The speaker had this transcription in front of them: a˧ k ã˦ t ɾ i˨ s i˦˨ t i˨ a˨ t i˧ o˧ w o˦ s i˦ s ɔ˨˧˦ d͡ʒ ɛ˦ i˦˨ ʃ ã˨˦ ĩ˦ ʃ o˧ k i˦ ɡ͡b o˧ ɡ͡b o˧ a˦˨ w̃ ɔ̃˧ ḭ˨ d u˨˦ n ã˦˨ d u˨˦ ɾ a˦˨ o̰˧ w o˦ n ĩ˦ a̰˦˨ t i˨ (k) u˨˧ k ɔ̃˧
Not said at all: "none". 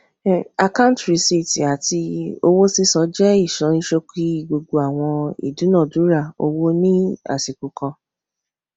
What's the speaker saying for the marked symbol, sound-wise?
k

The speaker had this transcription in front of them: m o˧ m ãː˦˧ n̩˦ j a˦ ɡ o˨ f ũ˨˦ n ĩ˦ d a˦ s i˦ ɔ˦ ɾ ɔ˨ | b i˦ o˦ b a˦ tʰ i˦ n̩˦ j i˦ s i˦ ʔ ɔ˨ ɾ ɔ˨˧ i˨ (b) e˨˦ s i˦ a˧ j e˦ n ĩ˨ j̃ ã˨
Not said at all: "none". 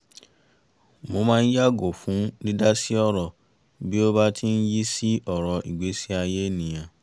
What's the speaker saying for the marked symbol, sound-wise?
ɡ͡b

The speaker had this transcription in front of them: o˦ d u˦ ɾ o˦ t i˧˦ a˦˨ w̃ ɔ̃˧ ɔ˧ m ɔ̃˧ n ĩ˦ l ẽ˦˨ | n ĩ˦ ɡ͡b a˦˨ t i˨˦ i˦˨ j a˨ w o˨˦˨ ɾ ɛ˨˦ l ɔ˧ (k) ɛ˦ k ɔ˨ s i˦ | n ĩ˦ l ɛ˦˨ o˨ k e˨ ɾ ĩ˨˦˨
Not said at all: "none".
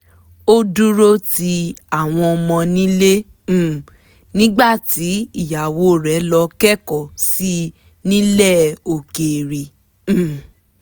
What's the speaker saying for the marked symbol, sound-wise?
k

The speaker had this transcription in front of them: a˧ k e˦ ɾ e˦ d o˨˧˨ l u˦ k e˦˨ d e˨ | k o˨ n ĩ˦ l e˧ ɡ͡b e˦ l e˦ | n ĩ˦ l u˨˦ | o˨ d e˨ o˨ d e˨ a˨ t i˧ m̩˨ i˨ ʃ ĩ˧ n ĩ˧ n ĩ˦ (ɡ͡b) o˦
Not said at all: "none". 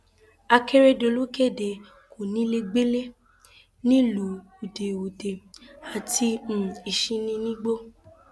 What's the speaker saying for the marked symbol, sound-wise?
ɡ͡b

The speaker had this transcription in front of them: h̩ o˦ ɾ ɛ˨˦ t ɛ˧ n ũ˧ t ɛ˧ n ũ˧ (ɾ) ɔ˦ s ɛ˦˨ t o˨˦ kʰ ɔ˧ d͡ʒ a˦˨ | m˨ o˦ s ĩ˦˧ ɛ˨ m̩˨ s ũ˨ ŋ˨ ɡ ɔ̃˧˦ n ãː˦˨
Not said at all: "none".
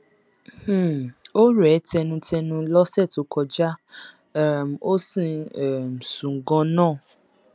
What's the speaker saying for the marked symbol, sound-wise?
l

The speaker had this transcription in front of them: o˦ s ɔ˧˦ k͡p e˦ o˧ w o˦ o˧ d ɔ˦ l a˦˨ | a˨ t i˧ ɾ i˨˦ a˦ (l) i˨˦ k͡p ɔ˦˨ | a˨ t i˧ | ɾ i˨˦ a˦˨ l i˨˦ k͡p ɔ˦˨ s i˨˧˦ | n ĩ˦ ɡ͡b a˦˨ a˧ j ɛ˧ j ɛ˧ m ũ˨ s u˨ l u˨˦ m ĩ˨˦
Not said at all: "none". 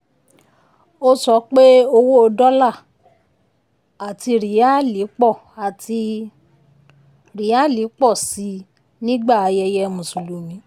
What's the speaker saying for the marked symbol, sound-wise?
l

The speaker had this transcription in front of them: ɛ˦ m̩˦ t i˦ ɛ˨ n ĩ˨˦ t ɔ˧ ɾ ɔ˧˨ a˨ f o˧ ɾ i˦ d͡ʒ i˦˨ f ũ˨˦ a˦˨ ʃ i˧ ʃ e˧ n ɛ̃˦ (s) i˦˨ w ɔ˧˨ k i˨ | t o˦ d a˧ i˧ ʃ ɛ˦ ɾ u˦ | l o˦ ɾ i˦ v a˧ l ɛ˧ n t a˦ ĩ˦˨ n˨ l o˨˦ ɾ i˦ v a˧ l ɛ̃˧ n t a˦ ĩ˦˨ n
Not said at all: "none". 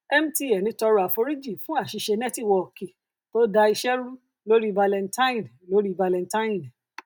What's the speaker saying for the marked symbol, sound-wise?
t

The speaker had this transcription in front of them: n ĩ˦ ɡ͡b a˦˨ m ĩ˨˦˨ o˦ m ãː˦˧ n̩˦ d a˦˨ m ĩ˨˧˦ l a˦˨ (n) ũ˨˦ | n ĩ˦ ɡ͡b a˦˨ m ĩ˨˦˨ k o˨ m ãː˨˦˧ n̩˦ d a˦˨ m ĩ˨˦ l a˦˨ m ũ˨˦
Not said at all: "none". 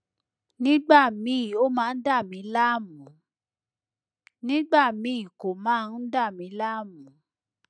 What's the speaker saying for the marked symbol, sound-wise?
m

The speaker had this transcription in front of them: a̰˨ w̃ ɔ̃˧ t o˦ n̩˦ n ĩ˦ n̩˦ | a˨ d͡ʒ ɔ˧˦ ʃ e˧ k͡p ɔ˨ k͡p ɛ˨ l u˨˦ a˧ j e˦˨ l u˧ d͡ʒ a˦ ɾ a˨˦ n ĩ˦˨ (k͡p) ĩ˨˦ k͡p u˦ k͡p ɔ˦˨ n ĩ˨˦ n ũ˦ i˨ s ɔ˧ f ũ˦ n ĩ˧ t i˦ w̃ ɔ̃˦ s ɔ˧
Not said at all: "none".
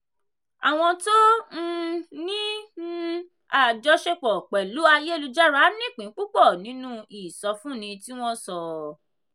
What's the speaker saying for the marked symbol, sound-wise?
k͡p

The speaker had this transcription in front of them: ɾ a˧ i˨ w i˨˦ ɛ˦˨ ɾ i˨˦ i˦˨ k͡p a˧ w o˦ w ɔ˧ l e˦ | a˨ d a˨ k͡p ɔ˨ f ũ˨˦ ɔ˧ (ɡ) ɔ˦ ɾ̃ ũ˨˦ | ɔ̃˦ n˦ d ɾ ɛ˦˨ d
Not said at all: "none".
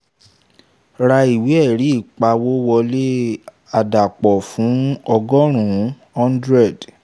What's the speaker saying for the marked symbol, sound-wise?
ɡ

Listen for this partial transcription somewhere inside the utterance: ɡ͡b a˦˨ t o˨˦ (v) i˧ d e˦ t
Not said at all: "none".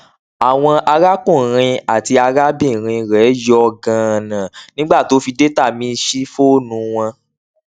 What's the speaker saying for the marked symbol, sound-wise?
f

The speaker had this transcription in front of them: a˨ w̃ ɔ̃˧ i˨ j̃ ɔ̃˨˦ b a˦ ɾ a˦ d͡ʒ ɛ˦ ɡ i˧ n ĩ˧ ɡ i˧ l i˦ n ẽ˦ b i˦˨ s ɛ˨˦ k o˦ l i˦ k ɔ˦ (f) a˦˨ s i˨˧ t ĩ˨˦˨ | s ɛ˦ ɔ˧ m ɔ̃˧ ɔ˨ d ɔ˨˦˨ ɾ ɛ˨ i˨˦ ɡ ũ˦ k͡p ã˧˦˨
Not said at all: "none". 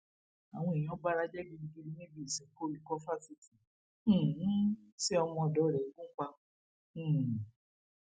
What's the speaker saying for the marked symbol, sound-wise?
f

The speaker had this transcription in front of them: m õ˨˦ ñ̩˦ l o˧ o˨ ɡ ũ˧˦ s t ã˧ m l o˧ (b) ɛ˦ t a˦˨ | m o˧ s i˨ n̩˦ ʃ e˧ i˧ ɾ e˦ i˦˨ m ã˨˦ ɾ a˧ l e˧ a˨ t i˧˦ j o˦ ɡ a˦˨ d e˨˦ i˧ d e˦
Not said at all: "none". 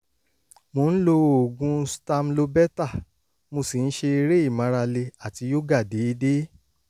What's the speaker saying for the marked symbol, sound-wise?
b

